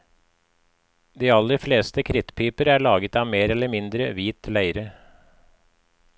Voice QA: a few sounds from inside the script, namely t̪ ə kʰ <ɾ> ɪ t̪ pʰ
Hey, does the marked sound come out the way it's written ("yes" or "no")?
yes